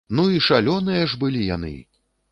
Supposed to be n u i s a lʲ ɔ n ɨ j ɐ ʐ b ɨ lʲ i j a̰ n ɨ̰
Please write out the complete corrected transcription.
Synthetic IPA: n u i ʂ a lʲ ɔ n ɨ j ɐ ʐ b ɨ lʲ i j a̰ n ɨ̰